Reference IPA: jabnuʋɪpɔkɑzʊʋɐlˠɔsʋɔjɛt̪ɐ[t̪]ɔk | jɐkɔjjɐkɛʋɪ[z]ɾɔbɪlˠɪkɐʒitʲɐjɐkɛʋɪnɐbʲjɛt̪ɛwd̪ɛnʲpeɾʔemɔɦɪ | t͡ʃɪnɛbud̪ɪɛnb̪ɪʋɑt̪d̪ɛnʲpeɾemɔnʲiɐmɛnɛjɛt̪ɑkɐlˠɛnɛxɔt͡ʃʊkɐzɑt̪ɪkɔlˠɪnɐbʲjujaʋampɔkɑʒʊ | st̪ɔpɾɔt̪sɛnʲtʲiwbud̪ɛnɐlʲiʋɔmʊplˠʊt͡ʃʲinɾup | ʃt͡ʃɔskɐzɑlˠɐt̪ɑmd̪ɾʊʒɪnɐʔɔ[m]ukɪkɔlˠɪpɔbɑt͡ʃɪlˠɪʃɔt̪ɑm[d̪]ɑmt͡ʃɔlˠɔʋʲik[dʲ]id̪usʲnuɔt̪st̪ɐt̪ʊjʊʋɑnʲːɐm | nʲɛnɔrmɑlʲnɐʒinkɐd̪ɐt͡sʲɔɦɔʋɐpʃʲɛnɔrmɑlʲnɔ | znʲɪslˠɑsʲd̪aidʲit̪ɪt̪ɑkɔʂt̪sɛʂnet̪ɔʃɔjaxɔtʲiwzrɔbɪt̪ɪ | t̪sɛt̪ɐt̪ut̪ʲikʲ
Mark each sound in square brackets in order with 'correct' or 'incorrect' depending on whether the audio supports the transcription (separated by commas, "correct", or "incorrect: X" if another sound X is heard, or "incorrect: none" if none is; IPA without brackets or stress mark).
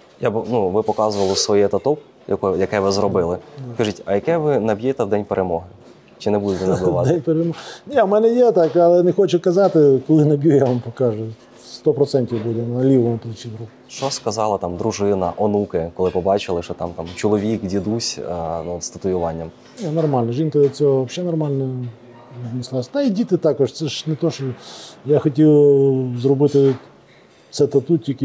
correct, correct, incorrect: n, incorrect: t̪, correct